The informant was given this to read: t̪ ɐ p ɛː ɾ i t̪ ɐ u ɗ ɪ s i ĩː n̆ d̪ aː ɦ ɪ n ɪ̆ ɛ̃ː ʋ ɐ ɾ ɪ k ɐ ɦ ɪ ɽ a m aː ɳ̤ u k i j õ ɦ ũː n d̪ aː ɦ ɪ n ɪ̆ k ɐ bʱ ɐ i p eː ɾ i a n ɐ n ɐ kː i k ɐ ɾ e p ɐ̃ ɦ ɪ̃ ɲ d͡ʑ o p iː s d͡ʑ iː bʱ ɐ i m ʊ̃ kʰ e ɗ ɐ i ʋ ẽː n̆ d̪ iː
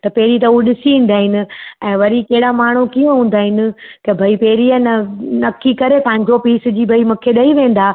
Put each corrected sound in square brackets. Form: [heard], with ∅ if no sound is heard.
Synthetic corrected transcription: t̪ ɐ p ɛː ɾ i t̪ ɐ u ɗ ɪ s i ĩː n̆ d̪ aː ɦ ɪ n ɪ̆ ɛ̃ː ʋ ɐ ɾ [i] k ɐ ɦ ɪ ɽ a m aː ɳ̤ u k i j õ ɦ ũː n d̪ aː ɦ ɪ n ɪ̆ k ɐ bʱ ɐ i p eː ɾ i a n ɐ n ɐ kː i k ɐ ɾ e p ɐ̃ ɦ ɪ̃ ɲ d͡ʑ o p iː s d͡ʑ iː bʱ ɐ i m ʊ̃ kʰ e ɗ ɐ i ʋ ẽː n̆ d̪ [aː]